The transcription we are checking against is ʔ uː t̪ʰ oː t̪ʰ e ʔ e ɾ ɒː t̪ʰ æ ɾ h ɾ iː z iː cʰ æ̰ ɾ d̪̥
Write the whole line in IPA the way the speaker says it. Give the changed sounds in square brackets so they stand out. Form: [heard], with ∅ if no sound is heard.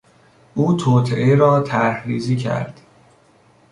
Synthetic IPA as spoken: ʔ uː t̪ʰ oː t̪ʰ e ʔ e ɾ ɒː t̪ʰ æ ɾ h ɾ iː z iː cʰ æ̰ ɾ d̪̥